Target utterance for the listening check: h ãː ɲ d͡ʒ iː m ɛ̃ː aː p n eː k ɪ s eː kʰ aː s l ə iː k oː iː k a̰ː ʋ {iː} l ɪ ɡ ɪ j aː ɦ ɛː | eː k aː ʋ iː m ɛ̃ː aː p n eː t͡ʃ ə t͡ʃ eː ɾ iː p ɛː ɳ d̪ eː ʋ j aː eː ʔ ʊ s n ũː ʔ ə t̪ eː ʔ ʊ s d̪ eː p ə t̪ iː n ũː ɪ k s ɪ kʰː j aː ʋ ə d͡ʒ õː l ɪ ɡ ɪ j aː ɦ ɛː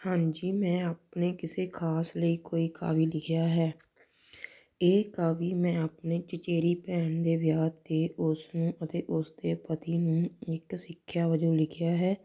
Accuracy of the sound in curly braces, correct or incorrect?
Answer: correct